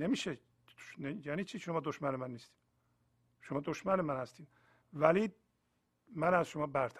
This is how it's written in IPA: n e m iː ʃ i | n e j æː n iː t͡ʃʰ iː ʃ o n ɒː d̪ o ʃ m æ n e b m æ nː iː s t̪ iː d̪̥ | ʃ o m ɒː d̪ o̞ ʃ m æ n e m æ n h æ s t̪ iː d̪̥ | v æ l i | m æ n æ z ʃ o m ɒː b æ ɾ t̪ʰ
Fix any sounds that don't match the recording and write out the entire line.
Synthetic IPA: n e m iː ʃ e | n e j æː n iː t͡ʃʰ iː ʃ o m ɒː d̪ o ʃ m æ n e m æ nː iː s t̪ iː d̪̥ | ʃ o m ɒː d̪ o̞ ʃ m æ n e m æ n h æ s t̪ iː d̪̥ | v æ l i | m æ n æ z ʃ o m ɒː b æ ɾ t̪ʰ